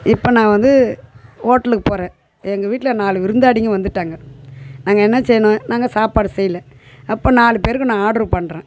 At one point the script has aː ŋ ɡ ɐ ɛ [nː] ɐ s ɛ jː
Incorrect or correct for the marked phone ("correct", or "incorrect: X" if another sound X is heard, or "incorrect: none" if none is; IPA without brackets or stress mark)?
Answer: correct